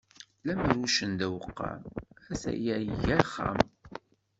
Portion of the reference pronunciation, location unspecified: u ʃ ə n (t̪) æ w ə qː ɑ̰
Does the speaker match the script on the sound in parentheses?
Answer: no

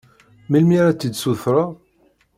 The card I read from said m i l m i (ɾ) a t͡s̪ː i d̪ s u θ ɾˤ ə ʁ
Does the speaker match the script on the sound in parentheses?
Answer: yes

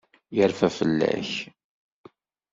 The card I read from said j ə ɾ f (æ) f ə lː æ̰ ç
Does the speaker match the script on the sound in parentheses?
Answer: yes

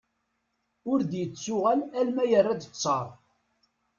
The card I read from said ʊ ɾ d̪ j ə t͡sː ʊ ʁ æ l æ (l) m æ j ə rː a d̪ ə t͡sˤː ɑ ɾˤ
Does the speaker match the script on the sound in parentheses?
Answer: yes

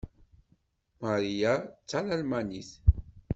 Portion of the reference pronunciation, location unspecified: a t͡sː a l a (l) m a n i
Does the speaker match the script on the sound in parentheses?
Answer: yes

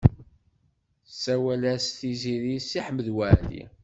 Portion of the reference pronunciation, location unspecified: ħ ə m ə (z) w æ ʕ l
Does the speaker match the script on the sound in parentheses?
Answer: no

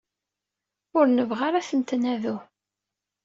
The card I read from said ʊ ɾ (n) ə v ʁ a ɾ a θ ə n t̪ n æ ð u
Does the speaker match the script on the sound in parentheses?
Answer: yes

